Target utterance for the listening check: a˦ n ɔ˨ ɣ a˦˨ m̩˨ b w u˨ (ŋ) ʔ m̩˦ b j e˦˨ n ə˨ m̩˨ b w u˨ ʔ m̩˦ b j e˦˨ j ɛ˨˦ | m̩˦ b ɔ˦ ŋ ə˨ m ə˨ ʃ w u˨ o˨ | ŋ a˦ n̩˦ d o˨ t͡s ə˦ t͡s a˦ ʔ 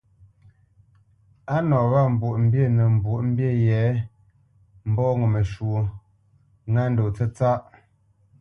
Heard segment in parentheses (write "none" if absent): none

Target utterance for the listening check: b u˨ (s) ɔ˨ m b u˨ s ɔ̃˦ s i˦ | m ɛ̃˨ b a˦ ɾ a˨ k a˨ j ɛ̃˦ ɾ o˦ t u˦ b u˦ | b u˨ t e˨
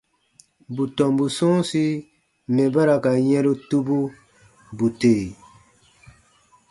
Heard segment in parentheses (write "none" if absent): t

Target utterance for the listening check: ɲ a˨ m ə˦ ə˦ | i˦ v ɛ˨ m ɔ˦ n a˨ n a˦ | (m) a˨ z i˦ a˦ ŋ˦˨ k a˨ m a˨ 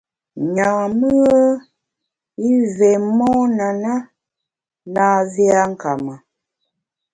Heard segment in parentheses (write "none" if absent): n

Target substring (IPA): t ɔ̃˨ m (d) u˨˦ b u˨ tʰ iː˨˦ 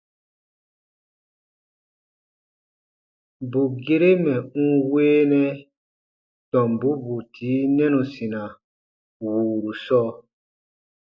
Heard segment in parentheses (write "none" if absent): b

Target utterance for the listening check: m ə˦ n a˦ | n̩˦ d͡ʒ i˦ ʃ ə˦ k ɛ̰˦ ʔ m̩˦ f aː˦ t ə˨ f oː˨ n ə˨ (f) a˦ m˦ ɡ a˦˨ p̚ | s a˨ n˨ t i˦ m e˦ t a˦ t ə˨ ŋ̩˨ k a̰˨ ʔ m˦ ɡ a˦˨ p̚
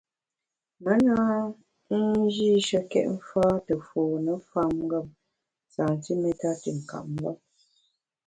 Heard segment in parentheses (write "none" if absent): f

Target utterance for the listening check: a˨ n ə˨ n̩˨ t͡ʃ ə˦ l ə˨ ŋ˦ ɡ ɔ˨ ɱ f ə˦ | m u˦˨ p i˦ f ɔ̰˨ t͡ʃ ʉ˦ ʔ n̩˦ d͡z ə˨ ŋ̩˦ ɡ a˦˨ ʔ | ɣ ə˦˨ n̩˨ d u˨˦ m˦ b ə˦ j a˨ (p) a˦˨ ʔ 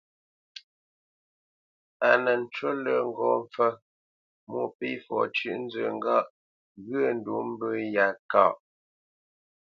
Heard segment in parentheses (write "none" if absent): k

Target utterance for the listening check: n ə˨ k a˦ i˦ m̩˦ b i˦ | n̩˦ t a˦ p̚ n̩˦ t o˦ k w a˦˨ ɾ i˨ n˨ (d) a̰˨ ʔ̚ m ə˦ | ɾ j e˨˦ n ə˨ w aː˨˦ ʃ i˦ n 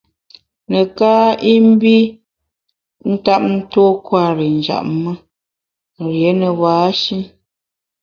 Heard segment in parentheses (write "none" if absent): d͡ʒ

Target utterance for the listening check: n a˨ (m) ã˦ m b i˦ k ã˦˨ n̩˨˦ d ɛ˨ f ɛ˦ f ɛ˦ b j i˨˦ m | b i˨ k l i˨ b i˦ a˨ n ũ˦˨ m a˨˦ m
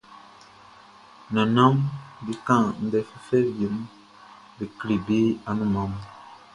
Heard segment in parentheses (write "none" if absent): n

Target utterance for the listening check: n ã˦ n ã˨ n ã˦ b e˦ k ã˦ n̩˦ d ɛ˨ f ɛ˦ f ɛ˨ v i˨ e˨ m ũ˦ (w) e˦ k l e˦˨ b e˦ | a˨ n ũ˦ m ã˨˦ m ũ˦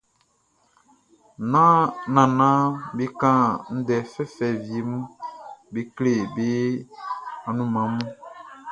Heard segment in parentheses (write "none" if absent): b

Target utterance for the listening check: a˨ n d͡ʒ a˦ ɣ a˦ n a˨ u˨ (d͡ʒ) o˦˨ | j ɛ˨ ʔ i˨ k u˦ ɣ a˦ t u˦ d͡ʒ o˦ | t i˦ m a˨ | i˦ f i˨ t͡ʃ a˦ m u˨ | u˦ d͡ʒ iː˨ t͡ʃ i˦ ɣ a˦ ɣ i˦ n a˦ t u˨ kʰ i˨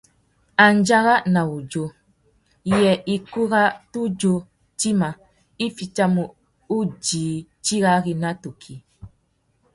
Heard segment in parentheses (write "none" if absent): d͡ʒ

